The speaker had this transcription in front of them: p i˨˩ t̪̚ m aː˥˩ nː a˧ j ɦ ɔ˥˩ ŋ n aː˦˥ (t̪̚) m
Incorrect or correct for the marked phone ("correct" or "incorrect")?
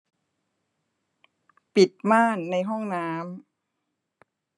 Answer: incorrect